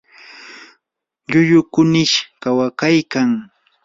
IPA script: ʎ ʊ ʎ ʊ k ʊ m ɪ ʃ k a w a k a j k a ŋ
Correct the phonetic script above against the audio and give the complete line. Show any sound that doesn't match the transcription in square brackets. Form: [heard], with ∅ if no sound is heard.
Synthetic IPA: ʎ ʊ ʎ ʊ k ʊ [n] ɪ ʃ k a w a k a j k a ŋ